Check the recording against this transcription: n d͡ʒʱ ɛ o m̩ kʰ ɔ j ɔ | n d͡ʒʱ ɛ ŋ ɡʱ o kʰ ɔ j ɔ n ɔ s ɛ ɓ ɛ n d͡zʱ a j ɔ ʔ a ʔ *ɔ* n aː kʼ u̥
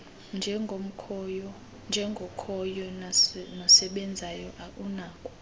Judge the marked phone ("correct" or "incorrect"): incorrect